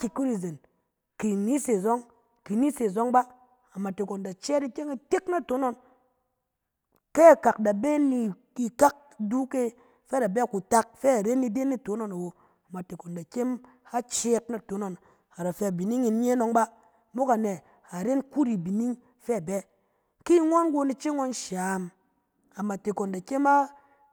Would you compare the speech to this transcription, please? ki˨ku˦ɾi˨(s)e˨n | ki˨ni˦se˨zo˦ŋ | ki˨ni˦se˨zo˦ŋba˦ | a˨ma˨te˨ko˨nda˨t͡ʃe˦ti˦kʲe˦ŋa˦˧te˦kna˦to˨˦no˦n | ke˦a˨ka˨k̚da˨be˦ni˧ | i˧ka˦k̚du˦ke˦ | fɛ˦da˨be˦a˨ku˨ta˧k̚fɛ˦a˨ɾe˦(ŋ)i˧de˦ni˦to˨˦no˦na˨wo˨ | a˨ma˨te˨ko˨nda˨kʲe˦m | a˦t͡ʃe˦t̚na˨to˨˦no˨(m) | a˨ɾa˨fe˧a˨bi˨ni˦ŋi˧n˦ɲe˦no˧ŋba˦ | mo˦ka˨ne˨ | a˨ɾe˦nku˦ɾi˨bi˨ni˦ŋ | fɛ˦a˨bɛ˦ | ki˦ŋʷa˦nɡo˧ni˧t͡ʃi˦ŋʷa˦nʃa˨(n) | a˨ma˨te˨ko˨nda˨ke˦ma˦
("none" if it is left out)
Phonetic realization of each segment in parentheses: z, n, n, m

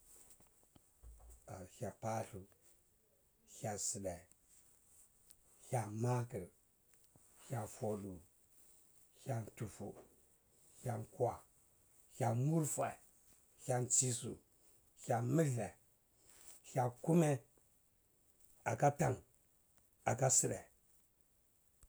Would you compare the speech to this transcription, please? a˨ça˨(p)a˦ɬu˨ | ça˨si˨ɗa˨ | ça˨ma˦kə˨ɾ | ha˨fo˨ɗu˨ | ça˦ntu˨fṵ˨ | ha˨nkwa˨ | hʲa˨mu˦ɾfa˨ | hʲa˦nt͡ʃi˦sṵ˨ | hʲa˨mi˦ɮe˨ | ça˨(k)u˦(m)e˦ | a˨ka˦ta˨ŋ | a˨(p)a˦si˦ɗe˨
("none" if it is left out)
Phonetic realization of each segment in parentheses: p, k, m, k

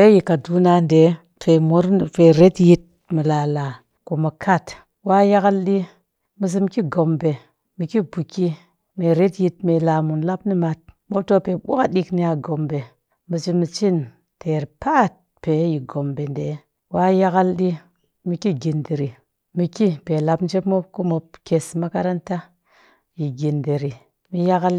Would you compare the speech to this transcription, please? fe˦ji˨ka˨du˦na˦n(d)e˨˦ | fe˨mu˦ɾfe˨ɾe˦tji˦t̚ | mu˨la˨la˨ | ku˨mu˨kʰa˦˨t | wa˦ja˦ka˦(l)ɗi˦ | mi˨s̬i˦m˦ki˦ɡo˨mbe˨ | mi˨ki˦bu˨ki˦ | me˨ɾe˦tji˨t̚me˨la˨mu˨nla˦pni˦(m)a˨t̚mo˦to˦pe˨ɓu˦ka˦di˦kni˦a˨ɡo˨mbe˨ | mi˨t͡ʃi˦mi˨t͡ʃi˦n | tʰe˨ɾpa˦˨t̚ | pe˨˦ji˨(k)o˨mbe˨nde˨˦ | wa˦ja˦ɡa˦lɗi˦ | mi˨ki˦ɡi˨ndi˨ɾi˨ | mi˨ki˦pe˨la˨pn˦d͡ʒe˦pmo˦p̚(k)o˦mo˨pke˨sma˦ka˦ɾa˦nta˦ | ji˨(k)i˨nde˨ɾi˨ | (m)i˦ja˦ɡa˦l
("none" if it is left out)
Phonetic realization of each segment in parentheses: d, l, m, ɡ, k, ɡ, m

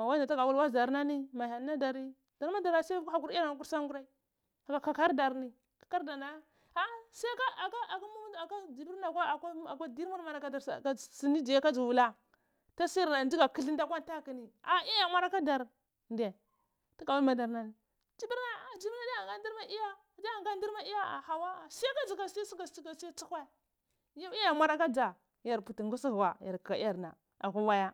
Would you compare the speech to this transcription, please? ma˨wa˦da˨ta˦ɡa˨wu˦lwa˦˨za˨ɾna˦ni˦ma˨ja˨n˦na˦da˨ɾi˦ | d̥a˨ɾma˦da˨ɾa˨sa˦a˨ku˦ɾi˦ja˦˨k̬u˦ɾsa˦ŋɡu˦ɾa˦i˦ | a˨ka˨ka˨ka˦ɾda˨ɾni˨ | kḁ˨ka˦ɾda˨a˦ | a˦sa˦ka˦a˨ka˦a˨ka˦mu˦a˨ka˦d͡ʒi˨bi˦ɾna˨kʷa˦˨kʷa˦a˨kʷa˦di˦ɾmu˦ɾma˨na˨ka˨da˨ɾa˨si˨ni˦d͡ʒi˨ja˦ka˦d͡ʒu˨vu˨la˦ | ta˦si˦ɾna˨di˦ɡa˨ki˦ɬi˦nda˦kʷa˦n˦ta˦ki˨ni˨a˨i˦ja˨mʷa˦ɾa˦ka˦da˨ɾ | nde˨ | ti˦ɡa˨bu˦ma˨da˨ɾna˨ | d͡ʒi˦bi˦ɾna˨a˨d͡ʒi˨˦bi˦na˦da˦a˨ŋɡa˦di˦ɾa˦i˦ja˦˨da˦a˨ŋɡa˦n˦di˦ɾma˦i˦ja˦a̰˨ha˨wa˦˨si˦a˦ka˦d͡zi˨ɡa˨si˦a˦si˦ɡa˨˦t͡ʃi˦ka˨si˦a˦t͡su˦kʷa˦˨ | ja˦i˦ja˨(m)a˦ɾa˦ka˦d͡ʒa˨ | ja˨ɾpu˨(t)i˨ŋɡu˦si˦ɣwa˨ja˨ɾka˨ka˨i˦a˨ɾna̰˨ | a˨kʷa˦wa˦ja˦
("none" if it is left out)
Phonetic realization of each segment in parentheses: m, t

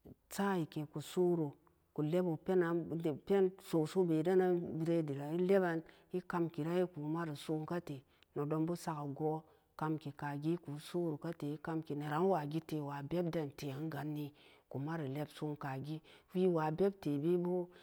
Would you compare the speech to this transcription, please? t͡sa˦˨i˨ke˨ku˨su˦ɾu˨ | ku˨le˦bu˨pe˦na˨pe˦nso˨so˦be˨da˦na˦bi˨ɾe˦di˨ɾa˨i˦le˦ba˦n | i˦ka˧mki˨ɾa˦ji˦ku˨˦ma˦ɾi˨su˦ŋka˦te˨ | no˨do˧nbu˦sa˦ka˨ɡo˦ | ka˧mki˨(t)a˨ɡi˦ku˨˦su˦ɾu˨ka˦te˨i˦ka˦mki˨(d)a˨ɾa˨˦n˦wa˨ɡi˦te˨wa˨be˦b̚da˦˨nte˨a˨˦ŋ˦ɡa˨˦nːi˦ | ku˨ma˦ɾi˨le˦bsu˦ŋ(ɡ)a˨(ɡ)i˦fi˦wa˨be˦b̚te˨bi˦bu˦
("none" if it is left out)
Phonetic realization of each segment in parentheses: k, n, k, ɡ

